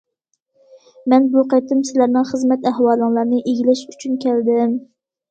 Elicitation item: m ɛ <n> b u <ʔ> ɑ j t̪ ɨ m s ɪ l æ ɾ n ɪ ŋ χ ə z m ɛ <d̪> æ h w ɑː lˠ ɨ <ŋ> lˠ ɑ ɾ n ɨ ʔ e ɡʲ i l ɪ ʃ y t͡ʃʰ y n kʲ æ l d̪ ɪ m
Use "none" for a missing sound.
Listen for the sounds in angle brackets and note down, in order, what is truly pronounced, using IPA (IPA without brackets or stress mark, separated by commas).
n, q, t̪, ŋ